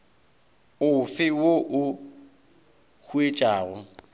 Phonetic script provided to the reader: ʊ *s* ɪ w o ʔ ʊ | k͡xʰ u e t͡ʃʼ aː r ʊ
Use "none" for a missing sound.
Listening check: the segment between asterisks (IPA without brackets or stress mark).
f